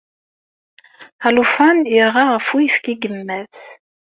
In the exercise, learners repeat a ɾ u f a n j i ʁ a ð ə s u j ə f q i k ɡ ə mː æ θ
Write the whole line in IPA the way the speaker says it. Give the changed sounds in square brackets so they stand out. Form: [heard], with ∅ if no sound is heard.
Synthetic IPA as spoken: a [l] u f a n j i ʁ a [ʁ] ə [f] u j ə f [k] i [∅] ɡ ə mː æ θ